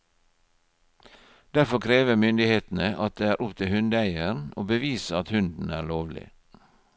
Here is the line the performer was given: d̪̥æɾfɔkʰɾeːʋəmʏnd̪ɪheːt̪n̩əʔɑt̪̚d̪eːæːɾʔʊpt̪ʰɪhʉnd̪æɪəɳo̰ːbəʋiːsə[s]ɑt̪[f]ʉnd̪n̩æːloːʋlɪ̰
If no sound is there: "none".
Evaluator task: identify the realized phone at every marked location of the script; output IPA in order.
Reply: none, h

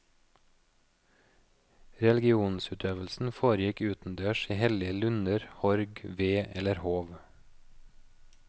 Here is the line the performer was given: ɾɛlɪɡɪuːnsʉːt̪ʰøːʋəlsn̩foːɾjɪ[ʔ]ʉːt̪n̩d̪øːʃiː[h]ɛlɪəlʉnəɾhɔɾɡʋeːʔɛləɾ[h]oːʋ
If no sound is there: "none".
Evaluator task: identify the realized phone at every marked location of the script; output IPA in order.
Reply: k, h, h

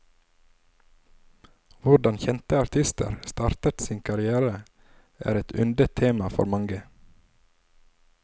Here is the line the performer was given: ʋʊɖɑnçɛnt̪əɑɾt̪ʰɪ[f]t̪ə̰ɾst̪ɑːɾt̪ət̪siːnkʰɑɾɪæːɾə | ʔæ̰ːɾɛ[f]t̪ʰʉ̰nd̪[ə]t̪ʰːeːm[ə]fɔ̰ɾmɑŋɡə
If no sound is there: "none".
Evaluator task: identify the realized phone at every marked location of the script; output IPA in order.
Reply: s, none, ə, ɑ

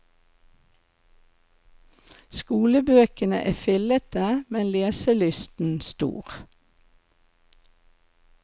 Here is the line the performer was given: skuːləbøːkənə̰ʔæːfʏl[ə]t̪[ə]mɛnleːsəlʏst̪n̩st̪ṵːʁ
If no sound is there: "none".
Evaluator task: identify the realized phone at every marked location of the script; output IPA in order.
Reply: ə, ə

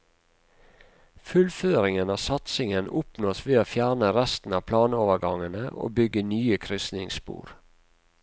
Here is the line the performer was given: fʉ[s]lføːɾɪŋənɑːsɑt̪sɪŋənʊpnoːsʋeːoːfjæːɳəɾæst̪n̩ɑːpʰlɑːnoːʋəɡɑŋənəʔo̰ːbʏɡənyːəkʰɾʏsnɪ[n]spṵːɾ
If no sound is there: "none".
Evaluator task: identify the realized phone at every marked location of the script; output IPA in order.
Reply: none, ŋ

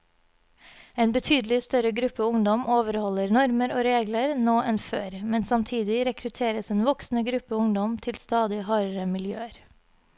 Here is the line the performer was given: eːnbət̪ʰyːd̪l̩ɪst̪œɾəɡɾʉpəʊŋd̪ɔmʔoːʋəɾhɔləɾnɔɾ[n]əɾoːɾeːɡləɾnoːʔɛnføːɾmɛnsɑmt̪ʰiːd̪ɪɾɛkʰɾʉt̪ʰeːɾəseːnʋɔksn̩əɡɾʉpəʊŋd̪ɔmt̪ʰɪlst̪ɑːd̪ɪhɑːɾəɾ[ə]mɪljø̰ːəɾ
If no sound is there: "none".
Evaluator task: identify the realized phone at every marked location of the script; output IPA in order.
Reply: m, ə

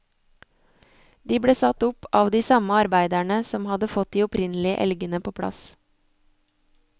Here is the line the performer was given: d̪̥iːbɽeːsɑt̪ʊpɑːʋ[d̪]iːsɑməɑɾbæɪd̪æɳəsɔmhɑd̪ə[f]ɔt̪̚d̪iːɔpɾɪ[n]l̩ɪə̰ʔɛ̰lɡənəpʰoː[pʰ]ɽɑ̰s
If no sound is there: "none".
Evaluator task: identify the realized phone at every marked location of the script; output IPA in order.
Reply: d̪, f, n, pʰ

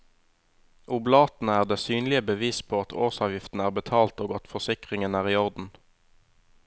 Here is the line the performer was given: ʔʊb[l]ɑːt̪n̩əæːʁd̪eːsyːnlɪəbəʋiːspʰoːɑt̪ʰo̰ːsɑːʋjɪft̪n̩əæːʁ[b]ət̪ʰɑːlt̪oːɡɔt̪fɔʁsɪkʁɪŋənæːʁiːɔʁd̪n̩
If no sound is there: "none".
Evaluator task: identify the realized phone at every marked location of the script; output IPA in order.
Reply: l, b

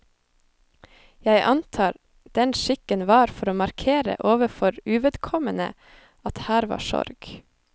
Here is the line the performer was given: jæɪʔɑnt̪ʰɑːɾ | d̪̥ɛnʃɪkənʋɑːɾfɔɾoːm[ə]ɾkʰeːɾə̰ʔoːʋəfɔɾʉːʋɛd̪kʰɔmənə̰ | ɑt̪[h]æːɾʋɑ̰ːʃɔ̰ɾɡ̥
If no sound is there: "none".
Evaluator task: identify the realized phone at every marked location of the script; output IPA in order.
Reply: ɑ, h

